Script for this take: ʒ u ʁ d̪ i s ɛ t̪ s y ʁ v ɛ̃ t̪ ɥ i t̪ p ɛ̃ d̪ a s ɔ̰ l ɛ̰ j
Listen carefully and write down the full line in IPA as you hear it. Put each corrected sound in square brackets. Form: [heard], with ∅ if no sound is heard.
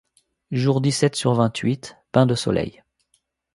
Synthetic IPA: ʒ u ʁ d̪ i s ɛ t̪ s y ʁ v ɛ̃ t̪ ɥ i t̪ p ɛ̃ d̪ [ə] s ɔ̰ l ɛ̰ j